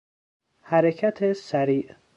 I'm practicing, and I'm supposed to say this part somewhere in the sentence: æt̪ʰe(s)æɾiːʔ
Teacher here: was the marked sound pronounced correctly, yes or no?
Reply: yes